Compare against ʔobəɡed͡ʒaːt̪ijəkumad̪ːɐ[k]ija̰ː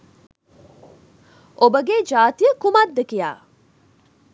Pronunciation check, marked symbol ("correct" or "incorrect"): correct